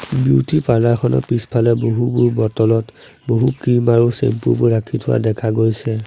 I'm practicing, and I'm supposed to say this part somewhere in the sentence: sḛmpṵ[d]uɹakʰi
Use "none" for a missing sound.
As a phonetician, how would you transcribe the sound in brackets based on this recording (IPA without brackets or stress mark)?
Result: b